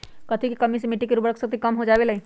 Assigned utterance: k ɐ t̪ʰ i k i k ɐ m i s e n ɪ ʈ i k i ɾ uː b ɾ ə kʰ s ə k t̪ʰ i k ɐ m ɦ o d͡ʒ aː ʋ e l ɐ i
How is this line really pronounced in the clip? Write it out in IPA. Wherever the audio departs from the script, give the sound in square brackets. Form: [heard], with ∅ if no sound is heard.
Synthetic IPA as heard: k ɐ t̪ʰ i k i k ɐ m i s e [m] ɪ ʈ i k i ɾ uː b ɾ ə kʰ s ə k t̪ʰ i k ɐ m ɦ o d͡ʒ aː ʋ e l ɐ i